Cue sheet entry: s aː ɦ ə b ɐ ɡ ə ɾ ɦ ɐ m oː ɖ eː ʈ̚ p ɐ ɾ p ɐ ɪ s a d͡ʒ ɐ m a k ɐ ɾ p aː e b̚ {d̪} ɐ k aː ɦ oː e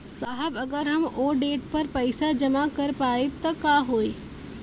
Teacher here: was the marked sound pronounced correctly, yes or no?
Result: no